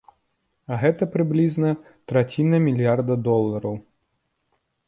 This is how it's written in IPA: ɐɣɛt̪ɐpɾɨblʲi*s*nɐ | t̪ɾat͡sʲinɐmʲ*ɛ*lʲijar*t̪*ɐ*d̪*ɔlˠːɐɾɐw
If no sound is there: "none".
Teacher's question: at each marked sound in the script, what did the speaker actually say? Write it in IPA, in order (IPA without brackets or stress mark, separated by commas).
z, i, d̪, d̪